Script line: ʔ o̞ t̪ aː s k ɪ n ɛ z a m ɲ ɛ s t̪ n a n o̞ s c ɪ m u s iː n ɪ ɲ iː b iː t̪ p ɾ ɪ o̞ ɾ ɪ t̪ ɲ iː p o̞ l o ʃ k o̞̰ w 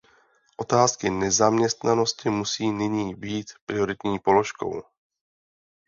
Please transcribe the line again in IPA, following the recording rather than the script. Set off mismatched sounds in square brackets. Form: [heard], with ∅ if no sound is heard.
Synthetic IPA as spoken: ʔ o̞ t̪ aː s k ɪ n ɛ z a m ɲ ɛ s t̪ n a n o̞ s c ɪ m u s iː n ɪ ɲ iː b iː t̪ p ɾ ɪ o̞ ɾ ɪ t̪ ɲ iː p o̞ l o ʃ k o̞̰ w

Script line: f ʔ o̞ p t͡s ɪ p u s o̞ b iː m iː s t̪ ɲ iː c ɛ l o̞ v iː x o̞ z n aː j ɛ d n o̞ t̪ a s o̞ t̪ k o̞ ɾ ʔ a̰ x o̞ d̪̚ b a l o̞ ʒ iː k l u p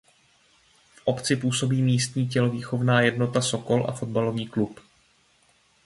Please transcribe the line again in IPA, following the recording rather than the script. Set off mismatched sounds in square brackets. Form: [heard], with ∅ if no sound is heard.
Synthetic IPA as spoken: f ʔ o̞ p t͡s ɪ p [uː] s o̞ b iː m iː s t̪ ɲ iː c ɛ l o̞ v iː x o̞ [v] n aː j ɛ d n o̞ t̪ a s o̞ [∅] k o̞ [l] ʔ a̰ [f] o̞ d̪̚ b a l o̞ [v] iː k l u p

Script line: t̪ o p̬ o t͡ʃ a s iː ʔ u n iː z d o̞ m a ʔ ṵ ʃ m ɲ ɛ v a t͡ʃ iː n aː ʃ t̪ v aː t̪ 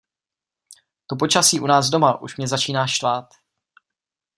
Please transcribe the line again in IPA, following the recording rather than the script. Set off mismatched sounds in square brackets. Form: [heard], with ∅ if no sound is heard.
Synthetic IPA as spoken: t̪ o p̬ o t͡ʃ a s iː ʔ u n [aː] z d o̞ m a ʔ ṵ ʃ m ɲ ɛ [z] a t͡ʃ iː n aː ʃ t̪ v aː t̪

